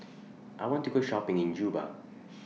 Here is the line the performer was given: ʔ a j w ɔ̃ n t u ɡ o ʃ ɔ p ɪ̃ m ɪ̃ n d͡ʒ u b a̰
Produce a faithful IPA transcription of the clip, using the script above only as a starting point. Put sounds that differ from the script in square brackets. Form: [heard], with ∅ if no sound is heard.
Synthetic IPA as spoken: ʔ a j w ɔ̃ n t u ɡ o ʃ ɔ p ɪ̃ [ŋ] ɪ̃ n d͡ʒ u b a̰